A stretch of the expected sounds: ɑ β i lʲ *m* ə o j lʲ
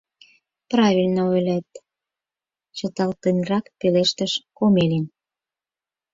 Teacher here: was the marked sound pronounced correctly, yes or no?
no